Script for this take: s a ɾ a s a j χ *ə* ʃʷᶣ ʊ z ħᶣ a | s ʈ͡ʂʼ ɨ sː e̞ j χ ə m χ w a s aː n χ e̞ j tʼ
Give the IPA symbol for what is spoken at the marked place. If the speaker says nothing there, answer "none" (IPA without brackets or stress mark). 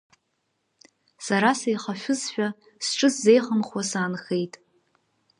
a